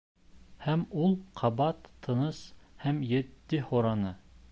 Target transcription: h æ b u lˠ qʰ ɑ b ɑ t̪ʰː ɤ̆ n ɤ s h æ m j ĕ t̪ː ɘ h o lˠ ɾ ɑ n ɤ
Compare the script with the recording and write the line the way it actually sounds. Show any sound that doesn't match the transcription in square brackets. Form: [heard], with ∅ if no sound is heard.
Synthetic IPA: h æ [m] u lˠ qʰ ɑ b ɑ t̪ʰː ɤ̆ n ɤ s h æ m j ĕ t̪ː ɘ h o [∅] ɾ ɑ n ɤ